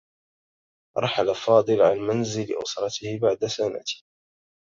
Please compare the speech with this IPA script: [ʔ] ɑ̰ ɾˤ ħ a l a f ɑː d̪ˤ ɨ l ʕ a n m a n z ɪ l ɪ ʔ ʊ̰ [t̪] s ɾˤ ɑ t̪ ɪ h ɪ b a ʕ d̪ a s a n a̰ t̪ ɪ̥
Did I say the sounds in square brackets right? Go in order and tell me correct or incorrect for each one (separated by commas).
correct, incorrect